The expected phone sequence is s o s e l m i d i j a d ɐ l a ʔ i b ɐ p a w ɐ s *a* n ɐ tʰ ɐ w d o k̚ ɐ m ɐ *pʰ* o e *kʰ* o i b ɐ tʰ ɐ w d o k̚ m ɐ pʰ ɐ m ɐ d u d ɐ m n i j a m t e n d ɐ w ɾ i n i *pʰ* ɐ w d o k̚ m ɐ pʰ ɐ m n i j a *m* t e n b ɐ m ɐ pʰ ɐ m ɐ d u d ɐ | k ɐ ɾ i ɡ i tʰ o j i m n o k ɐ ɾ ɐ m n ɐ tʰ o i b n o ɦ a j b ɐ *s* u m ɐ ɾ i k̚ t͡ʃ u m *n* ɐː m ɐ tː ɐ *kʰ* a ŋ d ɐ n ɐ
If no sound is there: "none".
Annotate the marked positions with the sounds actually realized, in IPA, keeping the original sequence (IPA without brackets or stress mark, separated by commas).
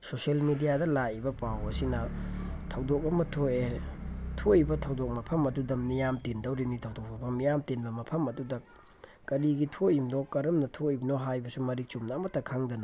i, tʰ, tʰ, tʰ, m, s, n, kʰ